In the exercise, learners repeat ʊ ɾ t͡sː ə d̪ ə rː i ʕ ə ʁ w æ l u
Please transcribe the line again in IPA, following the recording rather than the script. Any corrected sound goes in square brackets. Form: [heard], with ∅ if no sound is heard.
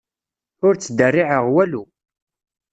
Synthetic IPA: ʊ ɾ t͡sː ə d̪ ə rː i ʕ ə ʁ w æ l u